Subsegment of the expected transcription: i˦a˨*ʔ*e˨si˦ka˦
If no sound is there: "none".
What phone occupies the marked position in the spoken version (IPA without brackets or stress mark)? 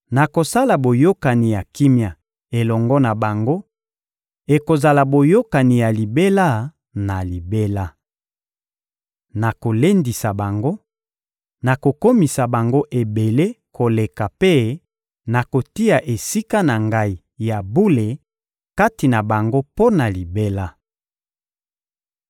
ʔ